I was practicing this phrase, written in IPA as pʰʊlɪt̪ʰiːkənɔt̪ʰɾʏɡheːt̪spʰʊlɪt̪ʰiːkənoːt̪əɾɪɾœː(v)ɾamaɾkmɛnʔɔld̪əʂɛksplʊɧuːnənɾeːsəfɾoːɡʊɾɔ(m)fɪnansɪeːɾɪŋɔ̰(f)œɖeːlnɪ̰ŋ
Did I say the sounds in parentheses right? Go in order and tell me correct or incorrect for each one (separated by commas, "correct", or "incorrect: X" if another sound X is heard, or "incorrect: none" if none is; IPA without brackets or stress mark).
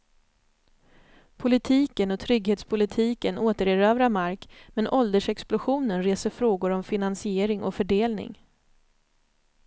correct, correct, correct